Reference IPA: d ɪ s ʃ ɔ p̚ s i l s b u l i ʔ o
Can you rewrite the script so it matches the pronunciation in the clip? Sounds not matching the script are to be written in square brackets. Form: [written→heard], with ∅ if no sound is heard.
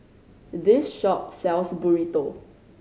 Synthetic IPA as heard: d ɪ s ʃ ɔ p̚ s [i→ɛ] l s b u [l→ɹ] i [ʔ→t] o